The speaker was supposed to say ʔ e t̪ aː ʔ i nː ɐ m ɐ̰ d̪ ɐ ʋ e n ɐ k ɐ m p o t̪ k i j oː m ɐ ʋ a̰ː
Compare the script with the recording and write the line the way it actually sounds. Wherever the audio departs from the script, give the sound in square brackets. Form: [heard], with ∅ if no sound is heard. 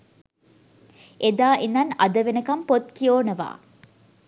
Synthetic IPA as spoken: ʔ e [d̪] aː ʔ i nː ɐ [n] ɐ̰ d̪ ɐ ʋ e n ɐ k ɐ m p o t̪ k i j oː [n] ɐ ʋ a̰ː